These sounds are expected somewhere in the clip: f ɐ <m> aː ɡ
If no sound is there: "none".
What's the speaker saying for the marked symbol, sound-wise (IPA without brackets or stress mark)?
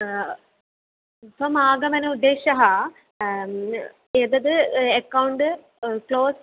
m